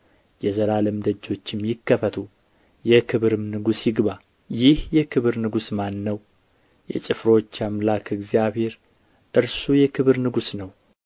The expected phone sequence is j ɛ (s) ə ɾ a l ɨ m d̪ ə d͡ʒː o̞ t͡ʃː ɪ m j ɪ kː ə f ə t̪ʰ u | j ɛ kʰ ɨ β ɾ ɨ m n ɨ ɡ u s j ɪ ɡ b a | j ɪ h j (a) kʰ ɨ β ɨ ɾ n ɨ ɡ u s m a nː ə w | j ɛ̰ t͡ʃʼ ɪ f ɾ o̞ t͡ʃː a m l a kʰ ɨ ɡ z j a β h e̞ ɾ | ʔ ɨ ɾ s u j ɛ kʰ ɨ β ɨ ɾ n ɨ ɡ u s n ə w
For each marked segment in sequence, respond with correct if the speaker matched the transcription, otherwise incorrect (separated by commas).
incorrect, incorrect